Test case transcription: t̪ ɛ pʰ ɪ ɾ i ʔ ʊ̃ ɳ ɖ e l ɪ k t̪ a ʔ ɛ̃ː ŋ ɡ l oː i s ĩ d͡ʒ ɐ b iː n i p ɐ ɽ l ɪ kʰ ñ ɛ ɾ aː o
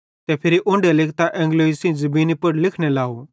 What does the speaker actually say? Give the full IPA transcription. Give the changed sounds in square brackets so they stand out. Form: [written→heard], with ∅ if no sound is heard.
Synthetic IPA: t̪ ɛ pʰ ɪ ɾ i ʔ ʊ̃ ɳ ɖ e l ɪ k t̪ a ʔ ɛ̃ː ŋ ɡ l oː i s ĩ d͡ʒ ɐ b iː n i p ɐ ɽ l ɪ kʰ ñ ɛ [ɾ→l] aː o